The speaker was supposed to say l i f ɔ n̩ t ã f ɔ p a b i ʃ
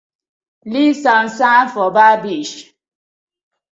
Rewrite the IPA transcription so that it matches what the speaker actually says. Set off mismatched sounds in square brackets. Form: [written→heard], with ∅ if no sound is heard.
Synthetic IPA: l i [f→s] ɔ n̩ [t→s] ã f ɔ [p→b] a b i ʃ